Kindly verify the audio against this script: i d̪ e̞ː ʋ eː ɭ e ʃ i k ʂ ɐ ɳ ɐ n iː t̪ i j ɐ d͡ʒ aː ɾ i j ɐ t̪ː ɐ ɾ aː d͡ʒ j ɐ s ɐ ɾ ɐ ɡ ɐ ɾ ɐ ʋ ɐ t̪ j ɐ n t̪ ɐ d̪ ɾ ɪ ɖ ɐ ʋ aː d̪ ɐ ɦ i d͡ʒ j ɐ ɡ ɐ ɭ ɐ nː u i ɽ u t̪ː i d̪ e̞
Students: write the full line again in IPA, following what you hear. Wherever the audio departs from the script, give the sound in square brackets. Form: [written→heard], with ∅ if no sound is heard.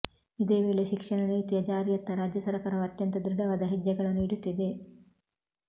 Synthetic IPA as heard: i d̪ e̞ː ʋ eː ɭ e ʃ i k ʂ ɐ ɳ ɐ n iː t̪ i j ɐ d͡ʒ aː ɾ i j ɐ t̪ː ɐ ɾ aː d͡ʒ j ɐ s ɐ ɾ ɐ [ɡ→k] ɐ ɾ ɐ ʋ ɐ t̪ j ɐ n t̪ ɐ d̪ ɾ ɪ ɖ ɐ ʋ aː d̪ ɐ ɦ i d͡ʒ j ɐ ɡ ɐ ɭ ɐ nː u i ɽ u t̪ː i d̪ e̞